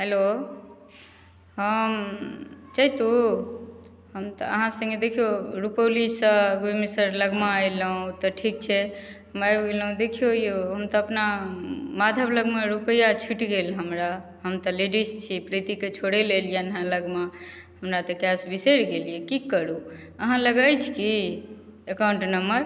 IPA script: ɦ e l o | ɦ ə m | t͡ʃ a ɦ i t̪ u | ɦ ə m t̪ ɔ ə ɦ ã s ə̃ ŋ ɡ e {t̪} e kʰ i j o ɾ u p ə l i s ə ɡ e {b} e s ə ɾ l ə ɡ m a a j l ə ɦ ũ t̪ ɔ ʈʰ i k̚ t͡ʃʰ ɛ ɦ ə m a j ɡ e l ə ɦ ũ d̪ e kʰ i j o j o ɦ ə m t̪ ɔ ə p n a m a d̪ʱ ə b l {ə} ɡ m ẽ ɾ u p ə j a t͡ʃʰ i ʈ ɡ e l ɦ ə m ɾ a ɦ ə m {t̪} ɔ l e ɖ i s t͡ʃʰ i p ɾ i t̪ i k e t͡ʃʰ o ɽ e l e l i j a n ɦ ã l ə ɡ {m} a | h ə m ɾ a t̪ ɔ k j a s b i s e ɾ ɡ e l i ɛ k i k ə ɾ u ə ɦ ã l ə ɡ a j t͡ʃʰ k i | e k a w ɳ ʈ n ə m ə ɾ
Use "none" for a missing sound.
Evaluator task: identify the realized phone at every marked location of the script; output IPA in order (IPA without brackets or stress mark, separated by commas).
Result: d̪, m, ə, t̪, m